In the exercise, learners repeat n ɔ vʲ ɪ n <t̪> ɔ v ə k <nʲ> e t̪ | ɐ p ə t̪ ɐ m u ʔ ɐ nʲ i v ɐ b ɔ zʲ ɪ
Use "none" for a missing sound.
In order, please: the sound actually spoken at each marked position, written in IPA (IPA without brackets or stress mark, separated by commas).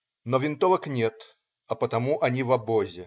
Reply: t̪, nʲ